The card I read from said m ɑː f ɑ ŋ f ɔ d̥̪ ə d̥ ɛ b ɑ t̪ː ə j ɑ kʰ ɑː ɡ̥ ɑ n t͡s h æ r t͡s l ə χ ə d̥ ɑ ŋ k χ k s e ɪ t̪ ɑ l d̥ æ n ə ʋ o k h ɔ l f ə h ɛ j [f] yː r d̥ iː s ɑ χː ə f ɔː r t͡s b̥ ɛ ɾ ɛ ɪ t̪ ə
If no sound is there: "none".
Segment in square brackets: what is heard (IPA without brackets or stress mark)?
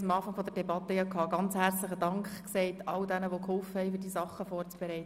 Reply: f